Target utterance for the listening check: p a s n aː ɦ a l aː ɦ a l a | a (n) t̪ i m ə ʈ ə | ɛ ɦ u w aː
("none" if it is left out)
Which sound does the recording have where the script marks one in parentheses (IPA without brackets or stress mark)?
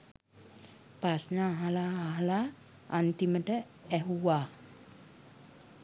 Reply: n